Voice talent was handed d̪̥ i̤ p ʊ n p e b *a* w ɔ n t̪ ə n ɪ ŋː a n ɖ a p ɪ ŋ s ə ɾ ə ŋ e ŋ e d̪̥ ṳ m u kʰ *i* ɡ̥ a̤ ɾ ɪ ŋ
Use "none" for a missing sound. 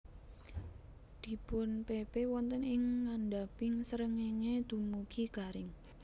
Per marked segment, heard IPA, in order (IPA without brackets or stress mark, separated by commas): e, i